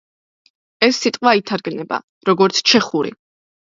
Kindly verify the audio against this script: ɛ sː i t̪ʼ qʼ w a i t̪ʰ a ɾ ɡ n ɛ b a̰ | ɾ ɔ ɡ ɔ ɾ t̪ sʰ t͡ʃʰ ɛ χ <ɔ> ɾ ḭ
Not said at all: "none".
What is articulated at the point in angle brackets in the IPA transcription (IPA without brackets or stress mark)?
u